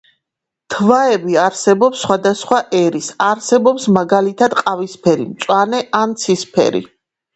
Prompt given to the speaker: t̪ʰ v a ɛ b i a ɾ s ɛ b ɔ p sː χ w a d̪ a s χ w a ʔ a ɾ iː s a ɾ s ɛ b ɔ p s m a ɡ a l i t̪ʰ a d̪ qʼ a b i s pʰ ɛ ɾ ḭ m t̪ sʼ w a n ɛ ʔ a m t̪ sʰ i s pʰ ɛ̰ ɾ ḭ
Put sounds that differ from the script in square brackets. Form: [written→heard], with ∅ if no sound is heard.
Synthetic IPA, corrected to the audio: t̪ʰ v a ɛ b i a ɾ s ɛ b ɔ p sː χ w a d̪ a s χ w a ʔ [a→ɛ] ɾ [iː→i] s a ɾ s ɛ b ɔ p s m a ɡ a l i t̪ʰ a d̪ qʼ a [b→v] i s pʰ ɛ ɾ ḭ m t̪ sʼ w a n ɛ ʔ a [m→n] t̪ sʰ i s pʰ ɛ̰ ɾ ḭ

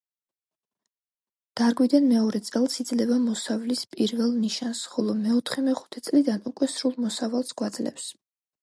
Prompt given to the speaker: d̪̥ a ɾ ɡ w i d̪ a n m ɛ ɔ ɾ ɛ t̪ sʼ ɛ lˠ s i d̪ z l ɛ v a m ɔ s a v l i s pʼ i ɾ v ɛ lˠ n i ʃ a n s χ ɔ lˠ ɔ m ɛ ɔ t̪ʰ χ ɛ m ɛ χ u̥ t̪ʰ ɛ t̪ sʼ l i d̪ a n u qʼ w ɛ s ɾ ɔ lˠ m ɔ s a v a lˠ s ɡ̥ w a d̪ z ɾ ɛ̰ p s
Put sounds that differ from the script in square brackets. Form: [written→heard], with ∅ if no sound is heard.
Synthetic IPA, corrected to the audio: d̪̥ a ɾ ɡ w i d̪ a n m ɛ ɔ ɾ ɛ t̪ sʼ ɛ lˠ s i d̪ z l ɛ v a m ɔ s a v l i s pʼ i ɾ v ɛ lˠ n i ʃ a n s χ ɔ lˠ ɔ m ɛ ɔ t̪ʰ χ ɛ m ɛ χ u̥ t̪ʰ ɛ t̪ sʼ l i d̪ a n u [qʼ→kʼ] w ɛ s ɾ [ɔ→u] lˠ m ɔ s a v a lˠ s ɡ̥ w a d̪ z [ɾ→l] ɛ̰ p s

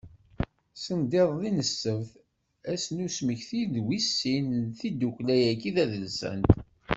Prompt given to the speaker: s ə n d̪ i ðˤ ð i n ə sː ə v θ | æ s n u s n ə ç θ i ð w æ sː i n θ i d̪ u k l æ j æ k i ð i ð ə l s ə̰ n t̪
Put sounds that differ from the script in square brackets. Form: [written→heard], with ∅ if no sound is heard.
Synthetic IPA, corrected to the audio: s ə n d̪ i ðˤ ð i n ə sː ə v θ | æ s n u s [n→m] ə ç θ i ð w [æ→i] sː i n θ i d̪ u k l æ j æ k i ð [i→æ] ð ə l s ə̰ n t̪

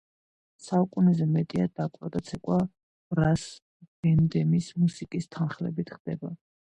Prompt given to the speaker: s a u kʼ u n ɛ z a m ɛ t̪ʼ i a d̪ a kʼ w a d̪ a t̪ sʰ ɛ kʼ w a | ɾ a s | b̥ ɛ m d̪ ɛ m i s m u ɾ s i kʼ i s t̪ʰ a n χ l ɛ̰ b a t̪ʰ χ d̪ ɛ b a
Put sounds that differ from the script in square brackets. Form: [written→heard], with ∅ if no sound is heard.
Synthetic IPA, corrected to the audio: s a u kʼ u n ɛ z [a→ɛ] m ɛ t̪ʼ i a d̪ a kʼ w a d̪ a t̪ sʰ ɛ kʼ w a | ɾ a s | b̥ ɛ [m→n] d̪ ɛ m i s m u [ɾ→∅] s i kʼ i s t̪ʰ a n χ l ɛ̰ b [a→i] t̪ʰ χ d̪ ɛ b a

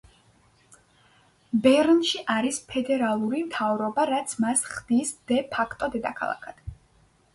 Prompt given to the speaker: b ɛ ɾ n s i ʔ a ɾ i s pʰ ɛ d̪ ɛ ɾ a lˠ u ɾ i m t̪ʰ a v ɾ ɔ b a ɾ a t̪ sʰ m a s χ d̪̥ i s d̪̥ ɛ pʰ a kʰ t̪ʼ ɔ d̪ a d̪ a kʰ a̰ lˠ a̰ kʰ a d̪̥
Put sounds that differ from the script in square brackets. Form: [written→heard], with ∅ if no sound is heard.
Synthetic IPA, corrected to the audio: b ɛ ɾ n [s→ʃ] i ʔ a ɾ i s pʰ ɛ d̪ ɛ ɾ a lˠ u ɾ i m t̪ʰ a v ɾ ɔ b a ɾ a t̪ sʰ m a s χ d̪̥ i s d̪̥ ɛ pʰ a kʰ t̪ʼ ɔ d̪ [a→ɛ] d̪ a kʰ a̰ lˠ a̰ kʰ a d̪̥

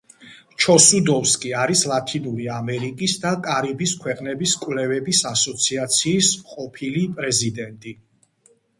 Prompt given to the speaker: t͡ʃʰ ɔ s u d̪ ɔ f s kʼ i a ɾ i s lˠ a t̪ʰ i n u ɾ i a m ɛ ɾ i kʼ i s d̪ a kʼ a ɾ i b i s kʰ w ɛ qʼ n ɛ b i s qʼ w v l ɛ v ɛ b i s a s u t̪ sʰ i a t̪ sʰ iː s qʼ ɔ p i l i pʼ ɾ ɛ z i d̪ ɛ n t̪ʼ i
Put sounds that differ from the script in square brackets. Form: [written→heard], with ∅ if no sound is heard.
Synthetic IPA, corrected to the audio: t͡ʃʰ ɔ s u d̪ ɔ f s kʼ i a ɾ i s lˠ a t̪ʰ i n u ɾ i a m ɛ ɾ i kʼ i s d̪ a kʼ a ɾ i b i s kʰ w ɛ qʼ n ɛ b i s [qʼ→kʼ] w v l ɛ v ɛ b i s a s [u→ɔ] t̪ sʰ i a t̪ sʰ iː s qʼ ɔ [p→pʰ] i l i pʼ ɾ ɛ z i d̪ ɛ n t̪ʼ i

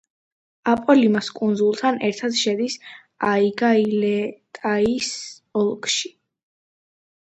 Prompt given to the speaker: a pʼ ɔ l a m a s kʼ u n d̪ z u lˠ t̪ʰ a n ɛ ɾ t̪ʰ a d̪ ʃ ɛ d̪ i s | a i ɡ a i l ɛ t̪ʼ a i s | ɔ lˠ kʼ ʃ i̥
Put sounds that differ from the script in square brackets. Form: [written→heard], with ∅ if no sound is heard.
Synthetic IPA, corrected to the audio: a pʼ ɔ l [a→i] m a s kʼ u n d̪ z u lˠ t̪ʰ a n ɛ ɾ t̪ʰ a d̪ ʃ ɛ d̪ i s | a i ɡ a i l ɛ t̪ʼ a i s | ɔ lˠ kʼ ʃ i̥

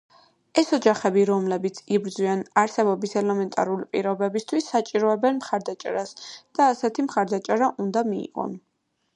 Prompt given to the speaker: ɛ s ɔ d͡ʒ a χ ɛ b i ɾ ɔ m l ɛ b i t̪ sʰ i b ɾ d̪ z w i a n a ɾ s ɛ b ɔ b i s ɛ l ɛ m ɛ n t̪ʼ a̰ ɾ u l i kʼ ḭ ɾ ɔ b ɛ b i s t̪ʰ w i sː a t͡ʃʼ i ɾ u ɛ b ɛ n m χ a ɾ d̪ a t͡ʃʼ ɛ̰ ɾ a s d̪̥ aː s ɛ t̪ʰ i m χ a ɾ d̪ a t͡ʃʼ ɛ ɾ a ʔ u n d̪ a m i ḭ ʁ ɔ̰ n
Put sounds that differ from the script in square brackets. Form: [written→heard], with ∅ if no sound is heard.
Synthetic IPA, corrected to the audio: ɛ s ɔ d͡ʒ a χ ɛ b i ɾ ɔ m l ɛ b i t̪ sʰ i b ɾ d̪ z w i a n a ɾ s ɛ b ɔ b i s ɛ l ɛ m ɛ n t̪ʼ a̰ ɾ u l i [kʼ→pʼ] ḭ ɾ ɔ b ɛ b i s t̪ʰ w i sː a t͡ʃʼ i ɾ [u→ɔ] ɛ b ɛ n m χ a ɾ d̪ a t͡ʃʼ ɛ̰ ɾ a s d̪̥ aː s ɛ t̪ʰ i m χ a ɾ d̪ a t͡ʃʼ ɛ ɾ a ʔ u n d̪ a m i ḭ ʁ ɔ̰ n

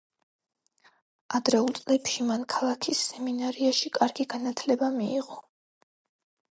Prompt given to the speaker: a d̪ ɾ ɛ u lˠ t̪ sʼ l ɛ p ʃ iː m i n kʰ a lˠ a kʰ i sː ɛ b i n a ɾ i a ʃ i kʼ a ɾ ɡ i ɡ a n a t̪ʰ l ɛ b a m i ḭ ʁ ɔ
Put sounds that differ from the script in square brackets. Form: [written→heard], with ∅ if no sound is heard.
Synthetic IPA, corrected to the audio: a d̪ ɾ ɛ u lˠ t̪ sʼ l ɛ p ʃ [iː→i] m [i→a] n kʰ a lˠ a kʰ i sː ɛ [b→m] i n a ɾ i a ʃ i kʼ a ɾ ɡ i ɡ a n a t̪ʰ l ɛ b a m i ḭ ʁ ɔ

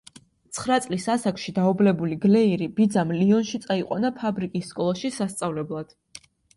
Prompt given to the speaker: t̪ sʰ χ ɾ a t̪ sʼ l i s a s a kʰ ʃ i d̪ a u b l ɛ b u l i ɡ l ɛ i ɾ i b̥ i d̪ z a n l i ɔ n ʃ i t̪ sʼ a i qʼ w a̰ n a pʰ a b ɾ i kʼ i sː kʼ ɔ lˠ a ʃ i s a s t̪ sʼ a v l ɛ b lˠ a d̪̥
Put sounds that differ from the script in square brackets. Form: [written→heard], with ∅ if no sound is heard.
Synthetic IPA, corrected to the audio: t̪ sʰ χ ɾ a t̪ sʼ l i s a s a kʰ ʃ i d̪ a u b l ɛ b u l i ɡ l ɛ i ɾ i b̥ i d̪ z a [n→m] l i ɔ n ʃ i t̪ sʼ a i qʼ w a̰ n a pʰ a b ɾ i kʼ i sː kʼ ɔ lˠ a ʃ i s a s t̪ sʼ a v l ɛ b lˠ a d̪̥

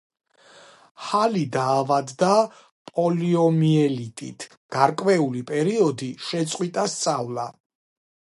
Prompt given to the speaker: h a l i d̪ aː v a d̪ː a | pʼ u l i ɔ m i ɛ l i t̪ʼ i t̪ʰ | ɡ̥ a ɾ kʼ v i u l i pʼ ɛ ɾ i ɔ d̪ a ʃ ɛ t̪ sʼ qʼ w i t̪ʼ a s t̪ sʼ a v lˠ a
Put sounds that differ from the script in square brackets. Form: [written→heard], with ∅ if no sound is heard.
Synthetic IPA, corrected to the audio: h a l i d̪ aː v a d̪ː a | pʼ [u→ɔ] l i ɔ m i ɛ l i t̪ʼ i t̪ʰ | ɡ̥ a ɾ kʼ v [i→ɛ] u l i pʼ ɛ ɾ i ɔ d̪ [a→i] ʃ ɛ t̪ sʼ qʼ w i t̪ʼ a s t̪ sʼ a v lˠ a

